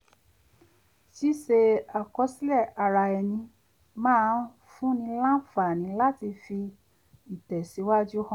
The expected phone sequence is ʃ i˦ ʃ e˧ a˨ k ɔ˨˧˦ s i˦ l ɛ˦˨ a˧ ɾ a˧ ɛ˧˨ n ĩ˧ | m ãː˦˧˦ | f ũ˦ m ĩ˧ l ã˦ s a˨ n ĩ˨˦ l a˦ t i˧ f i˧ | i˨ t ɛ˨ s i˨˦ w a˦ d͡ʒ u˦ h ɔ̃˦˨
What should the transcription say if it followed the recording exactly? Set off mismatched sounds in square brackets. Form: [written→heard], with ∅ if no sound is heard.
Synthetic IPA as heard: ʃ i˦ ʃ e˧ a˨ k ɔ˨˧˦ s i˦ l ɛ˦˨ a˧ ɾ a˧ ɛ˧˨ n ĩ˧ | m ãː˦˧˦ | f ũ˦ [m→n] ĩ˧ l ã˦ [s→f] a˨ n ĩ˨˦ l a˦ t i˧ f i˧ | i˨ t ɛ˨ s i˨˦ w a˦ d͡ʒ u˦ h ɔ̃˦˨